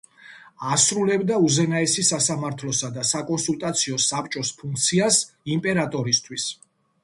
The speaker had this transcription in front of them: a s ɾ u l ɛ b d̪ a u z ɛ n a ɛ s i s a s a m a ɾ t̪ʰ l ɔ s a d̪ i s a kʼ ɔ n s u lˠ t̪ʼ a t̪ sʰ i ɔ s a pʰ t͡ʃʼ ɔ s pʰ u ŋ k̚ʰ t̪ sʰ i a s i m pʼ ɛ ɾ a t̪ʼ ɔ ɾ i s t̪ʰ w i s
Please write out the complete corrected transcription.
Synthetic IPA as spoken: a s ɾ u l ɛ b d̪ a u z ɛ n a ɛ s i s a s a m a ɾ t̪ʰ l ɔ s a d̪ a s a kʼ ɔ n s u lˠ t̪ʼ a t̪ sʰ i ɔ s a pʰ t͡ʃʼ ɔ s pʰ u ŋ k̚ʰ t̪ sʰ i a s i m pʼ ɛ ɾ a t̪ʼ ɔ ɾ i s t̪ʰ w i s